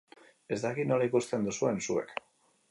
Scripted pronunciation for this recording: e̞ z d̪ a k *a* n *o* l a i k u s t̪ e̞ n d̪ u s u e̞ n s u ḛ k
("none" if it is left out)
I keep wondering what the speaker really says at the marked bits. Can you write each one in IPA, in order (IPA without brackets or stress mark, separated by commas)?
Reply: i, o